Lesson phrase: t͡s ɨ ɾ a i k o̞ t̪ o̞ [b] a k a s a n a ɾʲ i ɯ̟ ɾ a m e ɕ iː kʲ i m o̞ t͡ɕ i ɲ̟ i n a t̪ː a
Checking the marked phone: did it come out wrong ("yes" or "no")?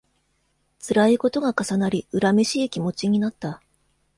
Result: yes